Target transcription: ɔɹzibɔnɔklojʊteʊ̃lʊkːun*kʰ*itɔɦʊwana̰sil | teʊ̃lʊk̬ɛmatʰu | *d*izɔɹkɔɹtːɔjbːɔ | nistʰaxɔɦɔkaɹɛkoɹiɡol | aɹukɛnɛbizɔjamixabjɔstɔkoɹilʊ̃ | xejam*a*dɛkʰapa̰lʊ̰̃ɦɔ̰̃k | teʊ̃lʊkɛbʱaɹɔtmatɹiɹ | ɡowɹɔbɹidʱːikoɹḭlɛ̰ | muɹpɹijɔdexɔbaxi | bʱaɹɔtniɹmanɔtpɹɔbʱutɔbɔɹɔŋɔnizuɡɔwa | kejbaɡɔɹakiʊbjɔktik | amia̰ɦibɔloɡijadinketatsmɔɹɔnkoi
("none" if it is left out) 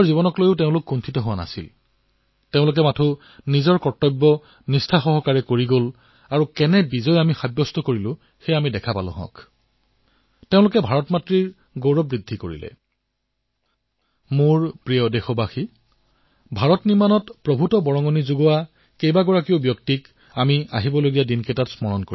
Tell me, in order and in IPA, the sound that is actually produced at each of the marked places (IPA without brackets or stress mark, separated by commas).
tʰ, n, i